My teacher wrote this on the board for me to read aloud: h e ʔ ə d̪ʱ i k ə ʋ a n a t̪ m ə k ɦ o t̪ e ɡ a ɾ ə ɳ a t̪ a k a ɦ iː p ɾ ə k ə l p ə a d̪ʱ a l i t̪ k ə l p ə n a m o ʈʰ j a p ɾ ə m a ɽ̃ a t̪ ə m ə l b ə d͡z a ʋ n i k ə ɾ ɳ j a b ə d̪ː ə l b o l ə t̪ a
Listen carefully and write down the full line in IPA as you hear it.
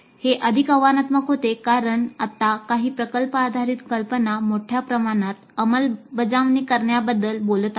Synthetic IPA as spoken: h e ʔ ə d̪ʱ i k ə ʋ a n a t̪ m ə k ɦ o t̪ e k a ɾ ə ɳ a t̪ a k a ɦ iː p ɾ ə k ə l p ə a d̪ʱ a ɾ i t̪ k ə l p ə n a m o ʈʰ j a p ɾ ə m a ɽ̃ a t̪ ə m ə l b ə d͡z a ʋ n i k ə ɾ ɳ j a b ə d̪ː ə l b o l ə t̪ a